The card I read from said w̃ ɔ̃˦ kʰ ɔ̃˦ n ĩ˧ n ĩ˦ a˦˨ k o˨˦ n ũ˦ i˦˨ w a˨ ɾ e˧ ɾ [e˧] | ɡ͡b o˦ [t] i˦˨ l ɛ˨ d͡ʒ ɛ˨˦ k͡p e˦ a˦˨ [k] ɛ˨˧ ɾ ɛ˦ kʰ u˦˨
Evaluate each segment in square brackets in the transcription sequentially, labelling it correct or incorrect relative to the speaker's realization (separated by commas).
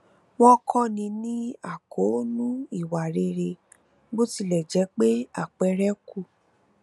correct, correct, incorrect